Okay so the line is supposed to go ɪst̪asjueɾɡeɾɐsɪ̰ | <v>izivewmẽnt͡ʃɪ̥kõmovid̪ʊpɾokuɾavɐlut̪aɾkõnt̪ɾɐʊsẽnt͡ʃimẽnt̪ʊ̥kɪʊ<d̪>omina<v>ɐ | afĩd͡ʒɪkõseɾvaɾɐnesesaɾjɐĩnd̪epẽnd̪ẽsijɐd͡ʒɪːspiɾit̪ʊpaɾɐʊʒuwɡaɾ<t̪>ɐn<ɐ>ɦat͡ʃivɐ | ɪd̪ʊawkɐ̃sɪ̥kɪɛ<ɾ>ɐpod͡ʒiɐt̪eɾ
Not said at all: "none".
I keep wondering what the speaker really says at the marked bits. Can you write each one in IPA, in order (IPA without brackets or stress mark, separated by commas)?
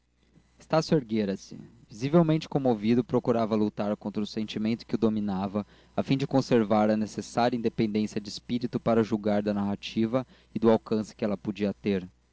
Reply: v, d̪, v, d̪, a, l